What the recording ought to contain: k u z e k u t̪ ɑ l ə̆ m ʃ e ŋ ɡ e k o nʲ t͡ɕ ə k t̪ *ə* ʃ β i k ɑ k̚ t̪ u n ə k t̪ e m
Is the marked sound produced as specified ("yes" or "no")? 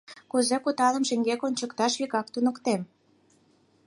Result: no